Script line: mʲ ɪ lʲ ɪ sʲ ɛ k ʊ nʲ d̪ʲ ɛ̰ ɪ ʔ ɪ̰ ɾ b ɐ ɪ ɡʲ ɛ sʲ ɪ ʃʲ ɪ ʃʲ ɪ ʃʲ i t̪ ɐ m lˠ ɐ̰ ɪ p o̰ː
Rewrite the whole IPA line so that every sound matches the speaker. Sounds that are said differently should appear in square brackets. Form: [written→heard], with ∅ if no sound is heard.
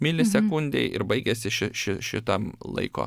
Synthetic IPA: mʲ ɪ lʲ ɪ sʲ ɛ k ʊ nʲ d̪ʲ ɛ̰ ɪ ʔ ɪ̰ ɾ b ɐ ɪ ɡʲ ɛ sʲ ɪ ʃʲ ɪ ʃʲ ɪ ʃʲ [i→ɪ] t̪ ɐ m lˠ ɐ̰ ɪ [p→k] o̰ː